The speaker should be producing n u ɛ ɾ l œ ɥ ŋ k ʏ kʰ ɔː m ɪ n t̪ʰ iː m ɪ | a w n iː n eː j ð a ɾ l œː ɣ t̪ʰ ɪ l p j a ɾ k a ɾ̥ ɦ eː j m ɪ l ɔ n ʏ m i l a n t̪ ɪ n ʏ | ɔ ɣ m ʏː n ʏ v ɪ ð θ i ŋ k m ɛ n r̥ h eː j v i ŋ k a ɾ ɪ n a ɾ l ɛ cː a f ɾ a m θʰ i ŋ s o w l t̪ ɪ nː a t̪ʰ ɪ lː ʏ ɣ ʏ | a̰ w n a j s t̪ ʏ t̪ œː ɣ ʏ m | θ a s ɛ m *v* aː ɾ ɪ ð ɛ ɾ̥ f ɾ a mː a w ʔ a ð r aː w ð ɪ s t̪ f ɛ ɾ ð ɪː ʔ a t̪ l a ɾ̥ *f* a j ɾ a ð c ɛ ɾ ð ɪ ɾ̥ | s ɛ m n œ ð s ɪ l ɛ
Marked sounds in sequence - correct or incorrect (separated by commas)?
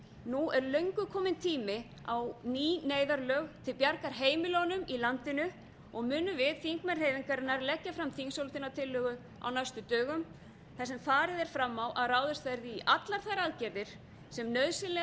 incorrect, incorrect